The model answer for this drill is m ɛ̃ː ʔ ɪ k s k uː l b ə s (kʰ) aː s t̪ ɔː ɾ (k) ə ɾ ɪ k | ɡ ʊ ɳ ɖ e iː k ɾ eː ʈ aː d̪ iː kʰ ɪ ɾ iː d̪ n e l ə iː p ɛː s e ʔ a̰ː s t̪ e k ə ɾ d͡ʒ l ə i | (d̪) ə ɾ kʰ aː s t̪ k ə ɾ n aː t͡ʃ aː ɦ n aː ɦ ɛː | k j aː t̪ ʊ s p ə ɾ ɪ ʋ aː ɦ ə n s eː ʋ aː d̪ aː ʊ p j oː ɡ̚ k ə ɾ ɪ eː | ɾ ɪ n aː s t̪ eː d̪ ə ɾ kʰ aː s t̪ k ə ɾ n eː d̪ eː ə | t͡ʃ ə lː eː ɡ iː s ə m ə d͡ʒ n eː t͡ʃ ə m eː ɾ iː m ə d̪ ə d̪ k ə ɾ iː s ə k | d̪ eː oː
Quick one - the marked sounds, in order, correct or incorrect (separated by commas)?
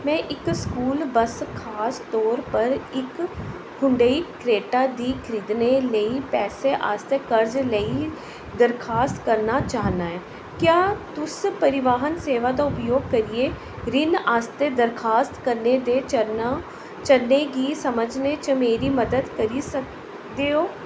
correct, incorrect, correct